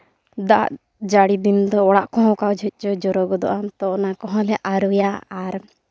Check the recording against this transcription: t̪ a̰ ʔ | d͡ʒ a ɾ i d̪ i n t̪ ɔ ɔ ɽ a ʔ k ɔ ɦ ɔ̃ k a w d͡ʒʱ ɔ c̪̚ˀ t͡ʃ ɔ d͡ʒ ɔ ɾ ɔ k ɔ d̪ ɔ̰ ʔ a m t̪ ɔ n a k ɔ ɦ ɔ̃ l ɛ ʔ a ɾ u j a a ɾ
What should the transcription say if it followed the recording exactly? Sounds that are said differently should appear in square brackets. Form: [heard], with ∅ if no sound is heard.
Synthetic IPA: [d̪] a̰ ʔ | d͡ʒ a [ɽ] i d̪ i n [d̪] ɔ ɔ ɽ a ʔ k ɔ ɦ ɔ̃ k a w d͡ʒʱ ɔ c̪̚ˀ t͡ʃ ɔ d͡ʒ ɔ ɾ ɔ [ɡ] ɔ d̪ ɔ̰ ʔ a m t̪ ɔ n a k ɔ ɦ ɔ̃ l ɛ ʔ a ɾ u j a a ɾ